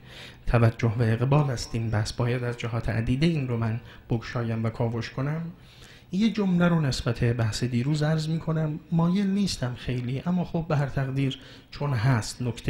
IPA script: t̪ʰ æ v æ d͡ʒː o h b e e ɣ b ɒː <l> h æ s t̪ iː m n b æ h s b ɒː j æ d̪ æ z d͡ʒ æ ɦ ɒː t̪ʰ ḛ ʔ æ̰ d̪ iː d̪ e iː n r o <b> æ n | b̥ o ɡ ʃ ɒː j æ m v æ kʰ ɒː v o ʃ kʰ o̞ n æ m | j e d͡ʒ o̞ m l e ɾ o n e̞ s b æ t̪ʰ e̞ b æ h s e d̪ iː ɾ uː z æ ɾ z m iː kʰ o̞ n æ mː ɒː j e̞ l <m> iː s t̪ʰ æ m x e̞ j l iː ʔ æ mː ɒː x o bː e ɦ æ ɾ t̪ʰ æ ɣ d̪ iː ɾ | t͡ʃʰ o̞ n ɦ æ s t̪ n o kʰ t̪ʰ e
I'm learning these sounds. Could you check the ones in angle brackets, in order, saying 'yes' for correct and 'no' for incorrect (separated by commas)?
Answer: yes, no, no